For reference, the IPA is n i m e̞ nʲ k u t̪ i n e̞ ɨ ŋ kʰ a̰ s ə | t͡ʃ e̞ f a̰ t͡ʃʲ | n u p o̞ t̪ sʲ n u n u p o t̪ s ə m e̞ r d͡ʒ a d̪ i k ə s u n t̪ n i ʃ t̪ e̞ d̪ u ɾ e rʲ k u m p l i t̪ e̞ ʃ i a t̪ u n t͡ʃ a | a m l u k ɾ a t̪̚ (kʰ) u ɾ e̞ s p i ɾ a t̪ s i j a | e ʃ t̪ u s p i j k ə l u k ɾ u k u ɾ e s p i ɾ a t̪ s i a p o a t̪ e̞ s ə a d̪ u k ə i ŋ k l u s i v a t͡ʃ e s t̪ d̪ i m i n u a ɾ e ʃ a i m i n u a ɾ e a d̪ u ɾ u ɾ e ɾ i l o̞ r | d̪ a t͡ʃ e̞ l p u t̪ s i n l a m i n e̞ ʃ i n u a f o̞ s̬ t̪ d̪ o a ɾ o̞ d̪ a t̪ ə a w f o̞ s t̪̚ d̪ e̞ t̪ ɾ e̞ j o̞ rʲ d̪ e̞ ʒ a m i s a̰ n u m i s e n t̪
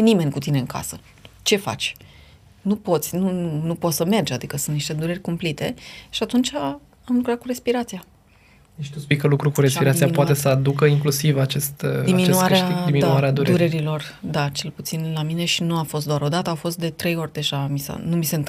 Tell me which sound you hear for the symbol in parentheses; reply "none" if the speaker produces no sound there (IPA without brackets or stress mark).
k